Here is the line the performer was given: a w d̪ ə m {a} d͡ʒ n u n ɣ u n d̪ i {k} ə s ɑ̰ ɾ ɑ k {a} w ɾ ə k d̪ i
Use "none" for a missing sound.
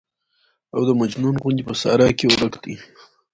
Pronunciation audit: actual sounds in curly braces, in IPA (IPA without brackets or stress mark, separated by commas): a, p, e